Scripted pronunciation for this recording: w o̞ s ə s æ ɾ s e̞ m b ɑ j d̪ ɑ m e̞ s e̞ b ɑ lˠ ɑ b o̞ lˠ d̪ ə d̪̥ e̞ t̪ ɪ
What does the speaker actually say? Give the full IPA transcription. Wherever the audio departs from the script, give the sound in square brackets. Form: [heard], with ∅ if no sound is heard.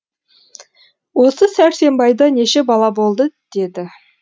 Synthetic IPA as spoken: w o̞ s ə s æ ɾ s e̞ m b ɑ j d̪ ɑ [n] e̞ [ʃ] e̞ b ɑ lˠ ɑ b o̞ lˠ d̪ ə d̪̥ e̞ [d̪] ɪ

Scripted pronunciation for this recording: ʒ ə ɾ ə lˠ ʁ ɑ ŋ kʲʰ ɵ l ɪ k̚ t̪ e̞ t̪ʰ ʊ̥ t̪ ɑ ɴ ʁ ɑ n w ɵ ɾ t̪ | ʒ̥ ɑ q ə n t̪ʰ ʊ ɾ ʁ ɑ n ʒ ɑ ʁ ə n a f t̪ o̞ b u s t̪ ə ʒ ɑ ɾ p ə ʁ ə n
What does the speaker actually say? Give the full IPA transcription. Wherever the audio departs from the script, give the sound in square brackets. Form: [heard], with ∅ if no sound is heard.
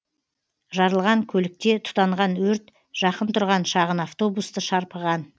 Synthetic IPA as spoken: ʒ [ɑ] ɾ ə lˠ ʁ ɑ ŋ kʲʰ ɵ l ɪ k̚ t̪ e̞ t̪ʰ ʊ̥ t̪ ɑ ɴ ʁ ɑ n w ɵ ɾ t̪ | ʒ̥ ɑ q ə n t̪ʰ ʊ ɾ ʁ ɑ n [ʃ] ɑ ʁ ə n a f t̪ o̞ b u s t̪ ə [ʃ] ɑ ɾ p ə ʁ [ɑ] n

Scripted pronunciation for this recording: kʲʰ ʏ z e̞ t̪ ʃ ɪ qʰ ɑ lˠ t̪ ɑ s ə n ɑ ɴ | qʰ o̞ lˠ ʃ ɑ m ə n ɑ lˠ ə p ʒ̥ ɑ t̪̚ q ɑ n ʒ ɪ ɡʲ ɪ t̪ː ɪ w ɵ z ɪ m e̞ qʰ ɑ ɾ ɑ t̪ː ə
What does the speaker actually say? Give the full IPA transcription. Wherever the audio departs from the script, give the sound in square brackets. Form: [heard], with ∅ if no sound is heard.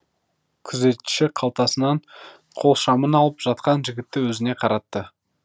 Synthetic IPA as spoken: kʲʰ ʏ z e̞ t̪ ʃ ɪ qʰ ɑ lˠ t̪ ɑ s ə n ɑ ɴ | qʰ o̞ lˠ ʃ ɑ m ə n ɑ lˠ ə p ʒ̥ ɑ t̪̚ q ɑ n ʒ ɪ ɡʲ ɪ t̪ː ɪ w ɵ z ɪ [n] e̞ qʰ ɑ ɾ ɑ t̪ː ə

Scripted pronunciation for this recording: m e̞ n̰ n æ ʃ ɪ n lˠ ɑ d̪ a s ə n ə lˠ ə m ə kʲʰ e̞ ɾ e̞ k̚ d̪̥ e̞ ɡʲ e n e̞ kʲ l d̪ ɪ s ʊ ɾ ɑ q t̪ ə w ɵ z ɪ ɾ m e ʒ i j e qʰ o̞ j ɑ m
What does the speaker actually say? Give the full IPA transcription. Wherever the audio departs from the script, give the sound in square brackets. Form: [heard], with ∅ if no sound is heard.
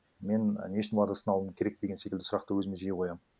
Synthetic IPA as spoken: m e̞ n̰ n [e] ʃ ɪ n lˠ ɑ d̪ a s ə n [ɑ] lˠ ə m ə kʲʰ e̞ ɾ e̞ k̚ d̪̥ e̞ ɡʲ e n e̞ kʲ l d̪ ɪ s ʊ ɾ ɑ q t̪ ə w ɵ z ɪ [∅] m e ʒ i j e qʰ o̞ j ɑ m

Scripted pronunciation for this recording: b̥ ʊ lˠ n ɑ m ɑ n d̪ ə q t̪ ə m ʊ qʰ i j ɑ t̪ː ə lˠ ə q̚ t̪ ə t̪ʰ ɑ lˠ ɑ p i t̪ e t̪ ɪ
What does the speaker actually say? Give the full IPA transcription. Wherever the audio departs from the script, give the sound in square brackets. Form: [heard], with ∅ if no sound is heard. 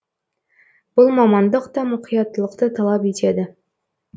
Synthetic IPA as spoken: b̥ ʊ lˠ [m] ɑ m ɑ n d̪ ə q t̪ [ɑ] m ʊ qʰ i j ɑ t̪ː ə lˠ ə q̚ t̪ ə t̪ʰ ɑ lˠ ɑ p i t̪ e [d̪] ɪ

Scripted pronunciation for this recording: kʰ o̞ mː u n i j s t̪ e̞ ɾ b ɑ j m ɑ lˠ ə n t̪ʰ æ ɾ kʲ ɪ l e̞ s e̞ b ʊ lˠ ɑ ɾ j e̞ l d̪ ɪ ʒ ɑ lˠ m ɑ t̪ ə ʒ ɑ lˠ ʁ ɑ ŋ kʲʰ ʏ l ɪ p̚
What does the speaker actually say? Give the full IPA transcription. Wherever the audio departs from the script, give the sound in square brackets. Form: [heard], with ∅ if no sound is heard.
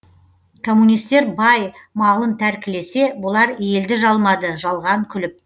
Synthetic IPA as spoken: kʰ o̞ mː u n i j s t̪ e̞ ɾ b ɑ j m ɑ lˠ ə n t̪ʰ æ ɾ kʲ ɪ l e̞ s e̞ b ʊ lˠ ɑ ɾ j e̞ l d̪ ɪ ʒ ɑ lˠ m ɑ [d̪] ə ʒ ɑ lˠ ʁ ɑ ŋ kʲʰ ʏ l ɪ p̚

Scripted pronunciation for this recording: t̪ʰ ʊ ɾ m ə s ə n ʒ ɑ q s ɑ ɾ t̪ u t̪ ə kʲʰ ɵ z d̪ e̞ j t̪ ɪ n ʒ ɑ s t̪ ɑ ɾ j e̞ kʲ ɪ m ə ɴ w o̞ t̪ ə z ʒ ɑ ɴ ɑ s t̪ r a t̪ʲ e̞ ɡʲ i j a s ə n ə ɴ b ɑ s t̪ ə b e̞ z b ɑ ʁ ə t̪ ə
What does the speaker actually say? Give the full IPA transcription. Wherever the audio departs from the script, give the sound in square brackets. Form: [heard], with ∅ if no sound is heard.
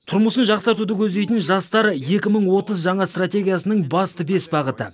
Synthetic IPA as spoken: t̪ʰ ʊ ɾ m ə s ə n ʒ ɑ q s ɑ ɾ t̪ u [d̪] ə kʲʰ ɵ z d̪ e̞ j t̪ ɪ n ʒ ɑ s t̪ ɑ ɾ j e̞ kʲ ɪ m ə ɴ w o̞ t̪ ə z ʒ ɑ ɴ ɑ s t̪ r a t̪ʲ e̞ ɡʲ i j a s ə n ə ɴ b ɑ s t̪ ə b e̞ [s] b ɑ ʁ ə t̪ ə

